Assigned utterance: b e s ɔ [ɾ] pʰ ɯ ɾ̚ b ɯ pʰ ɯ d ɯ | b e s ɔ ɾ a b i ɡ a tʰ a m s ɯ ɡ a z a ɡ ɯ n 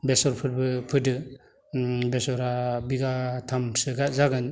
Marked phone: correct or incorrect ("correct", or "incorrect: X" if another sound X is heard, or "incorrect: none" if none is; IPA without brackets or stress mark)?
correct